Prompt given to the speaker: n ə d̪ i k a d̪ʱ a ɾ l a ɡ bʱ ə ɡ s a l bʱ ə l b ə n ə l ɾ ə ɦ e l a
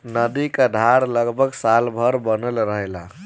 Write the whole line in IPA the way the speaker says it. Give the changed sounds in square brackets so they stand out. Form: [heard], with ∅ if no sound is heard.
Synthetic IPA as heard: n ə d̪ i k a d̪ʱ a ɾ l [ə] ɡ bʱ ə ɡ s a l bʱ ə [ɾ] b ə n ə l ɾ ə ɦ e l a